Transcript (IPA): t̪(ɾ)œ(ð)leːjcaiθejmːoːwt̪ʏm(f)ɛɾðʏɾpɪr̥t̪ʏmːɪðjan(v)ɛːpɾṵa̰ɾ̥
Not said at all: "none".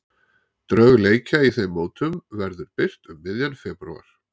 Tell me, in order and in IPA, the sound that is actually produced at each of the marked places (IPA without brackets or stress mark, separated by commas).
ɾ, ɣ, v, f